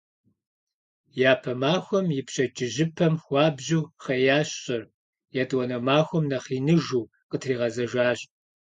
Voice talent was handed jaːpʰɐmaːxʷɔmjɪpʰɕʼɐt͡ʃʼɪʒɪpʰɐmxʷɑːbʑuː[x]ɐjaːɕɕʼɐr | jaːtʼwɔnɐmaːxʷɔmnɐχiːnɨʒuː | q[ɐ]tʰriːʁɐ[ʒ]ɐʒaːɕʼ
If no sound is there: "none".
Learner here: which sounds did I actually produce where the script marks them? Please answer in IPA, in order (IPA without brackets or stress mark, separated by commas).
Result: χ, ə, z